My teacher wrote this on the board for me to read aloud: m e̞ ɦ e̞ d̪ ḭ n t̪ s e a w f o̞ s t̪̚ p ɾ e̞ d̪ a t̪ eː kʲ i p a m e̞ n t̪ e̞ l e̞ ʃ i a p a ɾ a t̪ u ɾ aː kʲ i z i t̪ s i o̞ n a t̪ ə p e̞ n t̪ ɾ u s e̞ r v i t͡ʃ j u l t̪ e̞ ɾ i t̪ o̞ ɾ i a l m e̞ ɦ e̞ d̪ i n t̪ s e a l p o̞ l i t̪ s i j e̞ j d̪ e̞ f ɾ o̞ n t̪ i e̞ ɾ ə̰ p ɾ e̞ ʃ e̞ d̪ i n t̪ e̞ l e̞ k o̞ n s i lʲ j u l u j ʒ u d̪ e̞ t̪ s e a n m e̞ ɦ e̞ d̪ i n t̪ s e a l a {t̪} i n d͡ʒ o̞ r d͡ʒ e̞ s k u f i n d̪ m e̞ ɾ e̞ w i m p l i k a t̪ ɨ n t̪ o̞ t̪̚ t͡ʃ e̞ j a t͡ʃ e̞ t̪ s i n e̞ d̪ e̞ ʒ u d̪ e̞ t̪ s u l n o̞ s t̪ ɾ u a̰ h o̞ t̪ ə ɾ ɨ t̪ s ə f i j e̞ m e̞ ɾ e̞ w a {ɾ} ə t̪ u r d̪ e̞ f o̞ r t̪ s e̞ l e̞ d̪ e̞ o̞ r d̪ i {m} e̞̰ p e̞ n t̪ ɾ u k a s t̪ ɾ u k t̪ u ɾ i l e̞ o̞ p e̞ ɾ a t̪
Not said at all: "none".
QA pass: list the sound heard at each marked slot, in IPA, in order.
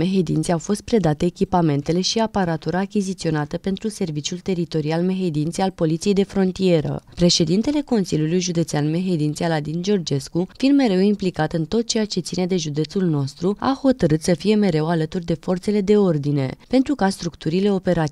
d̪, l, n

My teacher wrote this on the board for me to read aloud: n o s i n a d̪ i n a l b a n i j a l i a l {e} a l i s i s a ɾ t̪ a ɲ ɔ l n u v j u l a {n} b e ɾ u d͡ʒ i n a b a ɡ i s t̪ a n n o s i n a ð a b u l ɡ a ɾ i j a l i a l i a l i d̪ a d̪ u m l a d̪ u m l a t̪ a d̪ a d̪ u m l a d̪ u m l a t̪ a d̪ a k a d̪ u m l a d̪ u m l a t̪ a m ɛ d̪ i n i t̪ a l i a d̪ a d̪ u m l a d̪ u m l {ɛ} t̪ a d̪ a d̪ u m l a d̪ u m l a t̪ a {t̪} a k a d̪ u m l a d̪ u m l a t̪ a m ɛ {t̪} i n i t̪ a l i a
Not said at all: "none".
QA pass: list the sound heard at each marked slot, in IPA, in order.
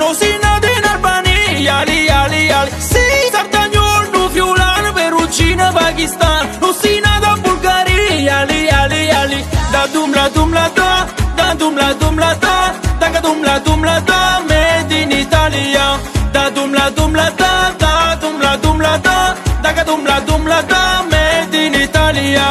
i, n, a, d̪, d̪

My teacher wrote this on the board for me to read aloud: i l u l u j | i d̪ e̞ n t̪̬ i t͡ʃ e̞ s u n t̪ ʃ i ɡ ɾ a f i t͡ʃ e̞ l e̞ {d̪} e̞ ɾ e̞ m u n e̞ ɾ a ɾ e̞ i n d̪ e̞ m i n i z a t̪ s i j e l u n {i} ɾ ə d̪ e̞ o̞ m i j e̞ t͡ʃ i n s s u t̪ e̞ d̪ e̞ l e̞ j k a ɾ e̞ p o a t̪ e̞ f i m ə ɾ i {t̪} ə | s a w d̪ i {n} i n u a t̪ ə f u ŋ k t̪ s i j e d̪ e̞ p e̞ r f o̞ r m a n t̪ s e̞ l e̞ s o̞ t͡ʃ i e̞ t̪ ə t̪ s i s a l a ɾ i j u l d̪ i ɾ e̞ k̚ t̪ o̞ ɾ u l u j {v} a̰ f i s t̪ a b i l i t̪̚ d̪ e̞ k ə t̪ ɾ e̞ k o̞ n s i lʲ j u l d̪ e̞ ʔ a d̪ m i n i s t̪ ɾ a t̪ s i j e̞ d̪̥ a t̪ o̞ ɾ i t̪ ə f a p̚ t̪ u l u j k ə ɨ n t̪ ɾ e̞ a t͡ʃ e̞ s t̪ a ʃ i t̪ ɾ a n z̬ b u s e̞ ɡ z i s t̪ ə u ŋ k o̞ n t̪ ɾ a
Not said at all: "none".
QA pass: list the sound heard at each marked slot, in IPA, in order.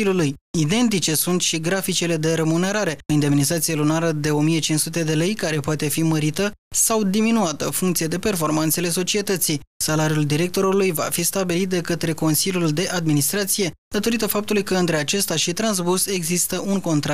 d̪, a, t̪, m, v

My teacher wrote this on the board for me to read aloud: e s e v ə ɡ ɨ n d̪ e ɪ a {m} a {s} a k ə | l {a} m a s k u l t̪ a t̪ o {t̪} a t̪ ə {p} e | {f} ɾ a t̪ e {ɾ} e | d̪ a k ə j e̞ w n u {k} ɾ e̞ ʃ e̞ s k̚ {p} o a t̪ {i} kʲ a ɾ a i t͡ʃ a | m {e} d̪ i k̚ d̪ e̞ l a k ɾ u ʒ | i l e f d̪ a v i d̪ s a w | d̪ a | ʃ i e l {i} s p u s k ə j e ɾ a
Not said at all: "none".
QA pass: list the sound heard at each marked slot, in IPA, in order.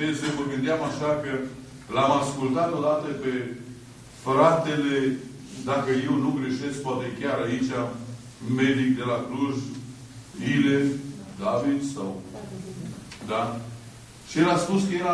m, ʃ, a, d̪, p, f, l, ɡ, p, e, e, a

